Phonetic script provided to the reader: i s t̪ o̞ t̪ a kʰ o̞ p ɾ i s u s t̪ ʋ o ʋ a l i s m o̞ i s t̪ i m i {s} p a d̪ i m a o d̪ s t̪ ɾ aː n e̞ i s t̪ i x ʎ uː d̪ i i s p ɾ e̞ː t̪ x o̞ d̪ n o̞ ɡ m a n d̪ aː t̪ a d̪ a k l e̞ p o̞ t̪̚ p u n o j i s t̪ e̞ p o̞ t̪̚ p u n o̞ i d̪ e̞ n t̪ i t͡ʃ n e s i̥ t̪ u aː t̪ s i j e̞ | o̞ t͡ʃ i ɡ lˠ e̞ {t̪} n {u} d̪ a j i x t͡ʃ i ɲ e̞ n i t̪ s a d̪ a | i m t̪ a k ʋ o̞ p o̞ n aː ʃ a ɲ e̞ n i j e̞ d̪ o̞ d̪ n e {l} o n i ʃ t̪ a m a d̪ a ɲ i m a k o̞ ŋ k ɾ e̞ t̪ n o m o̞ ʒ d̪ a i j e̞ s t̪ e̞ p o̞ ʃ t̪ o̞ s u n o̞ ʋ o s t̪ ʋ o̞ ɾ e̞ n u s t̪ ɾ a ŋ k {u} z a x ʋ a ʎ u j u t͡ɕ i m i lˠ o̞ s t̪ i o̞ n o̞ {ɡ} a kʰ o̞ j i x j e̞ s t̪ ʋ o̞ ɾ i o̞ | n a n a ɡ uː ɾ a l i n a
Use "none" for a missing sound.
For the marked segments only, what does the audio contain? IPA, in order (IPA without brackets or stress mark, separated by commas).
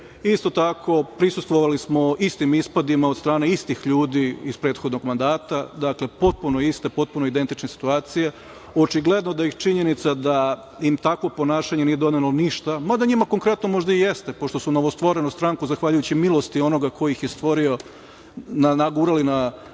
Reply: s, d̪, o, l, u, ɡ